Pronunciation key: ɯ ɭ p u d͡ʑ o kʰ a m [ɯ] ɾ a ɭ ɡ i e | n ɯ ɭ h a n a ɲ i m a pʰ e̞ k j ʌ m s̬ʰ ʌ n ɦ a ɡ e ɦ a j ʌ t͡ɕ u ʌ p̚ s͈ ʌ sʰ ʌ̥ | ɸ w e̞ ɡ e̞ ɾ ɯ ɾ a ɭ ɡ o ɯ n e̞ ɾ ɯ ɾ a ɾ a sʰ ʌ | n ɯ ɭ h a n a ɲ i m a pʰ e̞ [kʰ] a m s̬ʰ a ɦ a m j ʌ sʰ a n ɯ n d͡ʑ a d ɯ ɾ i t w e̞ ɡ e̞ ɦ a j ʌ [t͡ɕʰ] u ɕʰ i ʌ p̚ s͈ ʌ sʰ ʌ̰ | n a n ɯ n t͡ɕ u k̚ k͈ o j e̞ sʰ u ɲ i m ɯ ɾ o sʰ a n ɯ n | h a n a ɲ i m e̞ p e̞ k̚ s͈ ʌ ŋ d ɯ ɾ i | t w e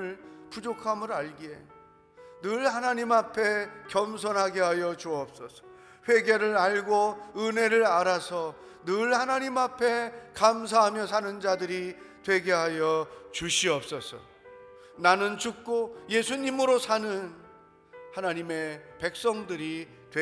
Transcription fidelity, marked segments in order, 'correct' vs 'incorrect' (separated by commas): correct, incorrect, incorrect